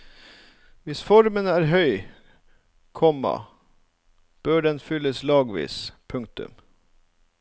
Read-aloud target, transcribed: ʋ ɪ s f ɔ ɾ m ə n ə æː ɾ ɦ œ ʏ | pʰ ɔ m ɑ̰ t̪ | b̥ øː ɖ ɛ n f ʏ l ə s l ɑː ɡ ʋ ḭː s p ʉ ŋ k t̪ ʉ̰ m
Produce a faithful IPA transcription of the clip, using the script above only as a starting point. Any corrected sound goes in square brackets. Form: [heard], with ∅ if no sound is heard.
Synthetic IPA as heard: ʋ ɪ s f ɔ ɾ m ə n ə æː ɾ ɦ œ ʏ | [kʰ] ɔ m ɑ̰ [∅] | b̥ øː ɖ ɛ n f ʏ l ə s l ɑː ɡ ʋ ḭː s [pʰ] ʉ ŋ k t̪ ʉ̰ m